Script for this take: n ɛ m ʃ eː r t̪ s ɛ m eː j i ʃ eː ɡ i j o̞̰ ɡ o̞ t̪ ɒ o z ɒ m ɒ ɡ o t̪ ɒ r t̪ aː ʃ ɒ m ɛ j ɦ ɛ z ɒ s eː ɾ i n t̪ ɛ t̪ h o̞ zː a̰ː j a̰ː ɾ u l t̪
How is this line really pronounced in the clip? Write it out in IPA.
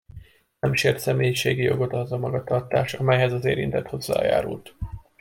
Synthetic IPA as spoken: n ɛ m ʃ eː r t̪ s ɛ m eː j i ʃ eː ɡ i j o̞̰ ɡ o̞ t̪ ɒ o z ɒ m ɒ ɡ ɒ t̪ ɒ r t̪ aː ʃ ɒ m ɛ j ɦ ɛ z ɒ z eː ɾ i n t̪ ɛ t̪ h o̞ zː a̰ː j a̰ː ɾ u l t̪